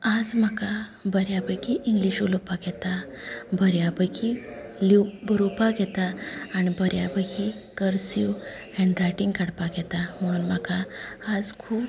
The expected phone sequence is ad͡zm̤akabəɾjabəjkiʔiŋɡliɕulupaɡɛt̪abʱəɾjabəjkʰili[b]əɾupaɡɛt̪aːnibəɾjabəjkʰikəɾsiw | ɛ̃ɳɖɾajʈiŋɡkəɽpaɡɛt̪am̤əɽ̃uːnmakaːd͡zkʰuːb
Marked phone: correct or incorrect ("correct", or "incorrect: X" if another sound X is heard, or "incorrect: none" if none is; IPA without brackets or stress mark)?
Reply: correct